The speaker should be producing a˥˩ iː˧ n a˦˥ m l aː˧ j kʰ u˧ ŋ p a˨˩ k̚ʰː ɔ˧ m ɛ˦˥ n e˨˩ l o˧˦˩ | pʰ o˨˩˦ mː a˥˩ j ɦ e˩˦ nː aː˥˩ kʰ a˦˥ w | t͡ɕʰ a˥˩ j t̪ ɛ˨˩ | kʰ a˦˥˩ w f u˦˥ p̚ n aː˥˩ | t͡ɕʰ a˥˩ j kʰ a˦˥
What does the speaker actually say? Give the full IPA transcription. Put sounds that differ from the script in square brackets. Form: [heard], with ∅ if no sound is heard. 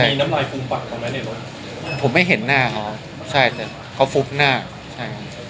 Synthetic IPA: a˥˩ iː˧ n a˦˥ m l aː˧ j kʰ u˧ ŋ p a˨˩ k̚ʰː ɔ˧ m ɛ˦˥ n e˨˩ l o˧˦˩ | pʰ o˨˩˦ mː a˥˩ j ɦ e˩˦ nː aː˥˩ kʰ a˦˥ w | t͡ɕʰ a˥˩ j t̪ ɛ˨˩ | kʰ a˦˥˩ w f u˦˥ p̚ n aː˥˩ | t͡ɕʰ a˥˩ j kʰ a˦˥

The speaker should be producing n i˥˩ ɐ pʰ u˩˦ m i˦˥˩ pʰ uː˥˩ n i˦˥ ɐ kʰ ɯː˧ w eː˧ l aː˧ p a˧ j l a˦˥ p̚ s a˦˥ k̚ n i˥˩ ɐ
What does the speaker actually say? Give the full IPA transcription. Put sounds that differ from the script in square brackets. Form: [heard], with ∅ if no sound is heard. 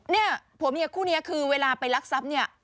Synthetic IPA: n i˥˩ ɐ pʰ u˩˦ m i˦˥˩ [kʰ] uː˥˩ n i˦˥ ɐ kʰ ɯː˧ w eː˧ l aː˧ p a˧ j l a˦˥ [k̚] s a˦˥ [p̚] n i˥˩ ɐ

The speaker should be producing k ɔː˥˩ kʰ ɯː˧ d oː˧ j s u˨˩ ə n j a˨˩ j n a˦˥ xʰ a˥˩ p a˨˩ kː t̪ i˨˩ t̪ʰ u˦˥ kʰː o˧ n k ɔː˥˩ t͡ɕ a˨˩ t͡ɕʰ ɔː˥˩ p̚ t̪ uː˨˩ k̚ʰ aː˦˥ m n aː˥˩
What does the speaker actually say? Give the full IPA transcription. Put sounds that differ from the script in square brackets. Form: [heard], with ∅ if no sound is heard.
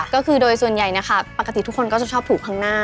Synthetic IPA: k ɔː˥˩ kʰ ɯː˧ d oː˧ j s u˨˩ ə n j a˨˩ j n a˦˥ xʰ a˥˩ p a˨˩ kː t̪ i˨˩ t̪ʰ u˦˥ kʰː o˧ n k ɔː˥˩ t͡ɕ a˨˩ t͡ɕʰ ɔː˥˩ p̚ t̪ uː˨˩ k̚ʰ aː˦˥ [ŋ] n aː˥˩

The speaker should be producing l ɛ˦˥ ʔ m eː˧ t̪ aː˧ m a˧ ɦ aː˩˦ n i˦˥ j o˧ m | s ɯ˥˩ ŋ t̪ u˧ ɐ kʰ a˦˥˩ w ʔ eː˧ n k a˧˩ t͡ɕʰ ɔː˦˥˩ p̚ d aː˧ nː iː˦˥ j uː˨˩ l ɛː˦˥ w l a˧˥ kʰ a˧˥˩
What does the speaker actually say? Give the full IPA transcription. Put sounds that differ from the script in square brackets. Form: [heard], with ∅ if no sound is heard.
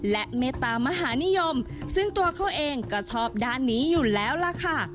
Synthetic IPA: l ɛ˦˥ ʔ m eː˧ t̪ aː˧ m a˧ ɦ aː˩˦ n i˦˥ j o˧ m | s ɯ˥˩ ŋ t̪ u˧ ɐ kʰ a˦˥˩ w ʔ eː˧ [ŋ] k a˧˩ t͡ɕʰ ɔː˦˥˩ p̚ d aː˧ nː iː˦˥ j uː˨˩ l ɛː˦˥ w l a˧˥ kʰ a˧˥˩

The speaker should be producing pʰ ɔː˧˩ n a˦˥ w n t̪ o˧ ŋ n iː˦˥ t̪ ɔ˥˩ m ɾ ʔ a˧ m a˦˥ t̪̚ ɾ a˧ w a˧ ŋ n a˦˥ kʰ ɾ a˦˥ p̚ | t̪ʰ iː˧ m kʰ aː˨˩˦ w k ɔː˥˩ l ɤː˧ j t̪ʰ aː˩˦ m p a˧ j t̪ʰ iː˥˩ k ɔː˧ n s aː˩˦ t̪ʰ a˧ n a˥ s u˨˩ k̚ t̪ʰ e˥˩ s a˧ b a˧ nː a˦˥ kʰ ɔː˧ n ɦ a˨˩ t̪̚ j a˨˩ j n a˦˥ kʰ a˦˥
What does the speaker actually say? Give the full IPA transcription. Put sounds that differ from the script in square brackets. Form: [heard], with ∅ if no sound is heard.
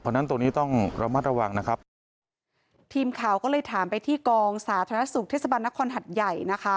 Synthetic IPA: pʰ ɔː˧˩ n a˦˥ [∅] n t̪ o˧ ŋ n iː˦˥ t̪ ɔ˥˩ [ŋ] ɾ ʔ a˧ m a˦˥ t̪̚ ɾ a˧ w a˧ ŋ n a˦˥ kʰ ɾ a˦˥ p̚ | t̪ʰ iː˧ m kʰ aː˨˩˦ w k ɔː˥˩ l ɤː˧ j t̪ʰ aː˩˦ m p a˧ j t̪ʰ iː˥˩ k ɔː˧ [ŋ] s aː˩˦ t̪ʰ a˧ n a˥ s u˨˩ k̚ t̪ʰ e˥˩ s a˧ b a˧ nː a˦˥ kʰ ɔː˧ n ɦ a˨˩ t̪̚ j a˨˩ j n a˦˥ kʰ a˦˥

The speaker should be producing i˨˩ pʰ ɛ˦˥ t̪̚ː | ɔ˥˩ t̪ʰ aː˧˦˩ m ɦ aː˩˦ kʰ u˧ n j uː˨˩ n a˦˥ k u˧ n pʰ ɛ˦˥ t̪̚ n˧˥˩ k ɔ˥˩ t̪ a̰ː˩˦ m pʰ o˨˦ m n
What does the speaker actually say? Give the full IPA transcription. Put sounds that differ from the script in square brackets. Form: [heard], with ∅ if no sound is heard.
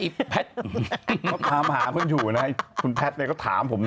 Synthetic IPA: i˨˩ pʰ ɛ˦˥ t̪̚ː | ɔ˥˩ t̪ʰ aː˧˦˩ m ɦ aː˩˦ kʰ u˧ n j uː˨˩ n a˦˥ [kʰ] u˧ n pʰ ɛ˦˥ t̪̚ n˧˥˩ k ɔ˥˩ [t̪ʰ] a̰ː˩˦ m pʰ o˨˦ m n

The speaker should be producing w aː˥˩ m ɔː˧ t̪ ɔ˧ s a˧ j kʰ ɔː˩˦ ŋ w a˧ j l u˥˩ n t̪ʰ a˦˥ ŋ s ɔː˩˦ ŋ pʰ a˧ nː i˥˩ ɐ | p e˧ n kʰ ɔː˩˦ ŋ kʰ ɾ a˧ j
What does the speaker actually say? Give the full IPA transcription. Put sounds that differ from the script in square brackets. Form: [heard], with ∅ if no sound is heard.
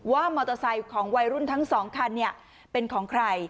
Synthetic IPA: w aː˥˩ m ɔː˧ t̪ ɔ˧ s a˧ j kʰ ɔː˩˦ ŋ w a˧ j [ɾ] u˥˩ n t̪ʰ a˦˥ ŋ s ɔː˩˦ ŋ [kʰ] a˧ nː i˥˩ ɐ | p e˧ n kʰ ɔː˩˦ ŋ kʰ ɾ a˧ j

